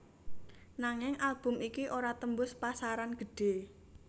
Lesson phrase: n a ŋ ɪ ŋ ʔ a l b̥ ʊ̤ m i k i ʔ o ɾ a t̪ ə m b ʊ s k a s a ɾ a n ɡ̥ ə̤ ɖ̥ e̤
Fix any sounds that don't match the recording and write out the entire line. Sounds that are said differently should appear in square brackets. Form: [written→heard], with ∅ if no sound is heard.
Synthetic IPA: n a ŋ ɪ ŋ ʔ a l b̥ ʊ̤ m i k i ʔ o ɾ a t̪ ə m b ʊ s [k→p] a s a ɾ a n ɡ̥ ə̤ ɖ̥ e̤